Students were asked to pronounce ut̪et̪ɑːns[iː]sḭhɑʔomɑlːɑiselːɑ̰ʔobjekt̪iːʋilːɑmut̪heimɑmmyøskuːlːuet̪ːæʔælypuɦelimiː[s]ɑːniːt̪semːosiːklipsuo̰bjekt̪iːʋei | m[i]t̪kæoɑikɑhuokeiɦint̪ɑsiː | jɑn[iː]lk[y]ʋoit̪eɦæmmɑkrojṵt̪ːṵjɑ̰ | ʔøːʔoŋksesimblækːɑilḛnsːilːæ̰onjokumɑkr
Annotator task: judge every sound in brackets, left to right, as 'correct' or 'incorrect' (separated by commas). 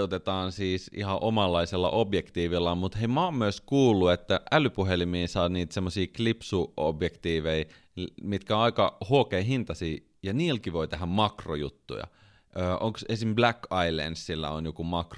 correct, correct, correct, correct, incorrect